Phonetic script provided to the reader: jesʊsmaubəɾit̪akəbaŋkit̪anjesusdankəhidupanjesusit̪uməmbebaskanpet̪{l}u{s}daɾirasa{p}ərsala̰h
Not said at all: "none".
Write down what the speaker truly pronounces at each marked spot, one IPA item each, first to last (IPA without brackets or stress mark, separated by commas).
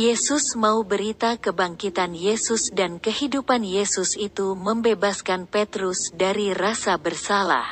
ɾ, s, b